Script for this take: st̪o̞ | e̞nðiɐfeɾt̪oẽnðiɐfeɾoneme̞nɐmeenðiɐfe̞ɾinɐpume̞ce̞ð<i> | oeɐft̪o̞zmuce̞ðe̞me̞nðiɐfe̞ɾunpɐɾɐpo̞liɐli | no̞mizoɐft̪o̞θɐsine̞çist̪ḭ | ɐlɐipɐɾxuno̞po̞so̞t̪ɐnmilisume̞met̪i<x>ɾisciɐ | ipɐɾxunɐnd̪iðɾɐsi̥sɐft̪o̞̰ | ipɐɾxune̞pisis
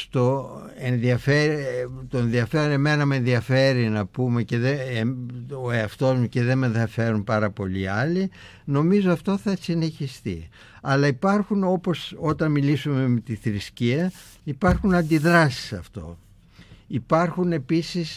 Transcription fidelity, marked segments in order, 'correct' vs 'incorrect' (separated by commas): incorrect, incorrect